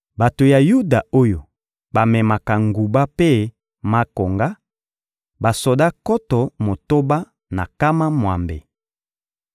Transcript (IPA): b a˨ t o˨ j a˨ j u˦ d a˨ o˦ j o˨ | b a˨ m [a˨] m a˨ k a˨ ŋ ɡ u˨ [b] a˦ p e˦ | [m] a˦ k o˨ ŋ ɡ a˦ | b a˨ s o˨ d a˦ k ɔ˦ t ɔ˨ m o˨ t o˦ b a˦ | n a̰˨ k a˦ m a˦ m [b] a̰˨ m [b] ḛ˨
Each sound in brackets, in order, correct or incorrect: incorrect: ɛ˨, correct, correct, incorrect: w, correct

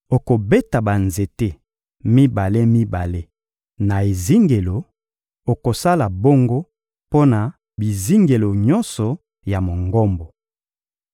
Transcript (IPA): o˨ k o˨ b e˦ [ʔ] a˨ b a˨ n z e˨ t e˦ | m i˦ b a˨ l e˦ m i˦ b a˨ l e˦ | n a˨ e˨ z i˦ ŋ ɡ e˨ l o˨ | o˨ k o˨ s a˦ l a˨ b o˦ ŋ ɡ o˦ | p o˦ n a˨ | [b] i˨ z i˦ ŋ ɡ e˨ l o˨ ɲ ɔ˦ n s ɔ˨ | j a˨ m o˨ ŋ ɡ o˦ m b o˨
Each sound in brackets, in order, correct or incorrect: incorrect: t, correct

